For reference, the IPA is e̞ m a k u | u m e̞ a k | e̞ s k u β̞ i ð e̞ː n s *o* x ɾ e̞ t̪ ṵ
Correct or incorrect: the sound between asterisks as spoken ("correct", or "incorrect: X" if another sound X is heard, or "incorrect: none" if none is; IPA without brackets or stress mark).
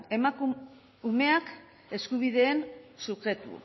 incorrect: u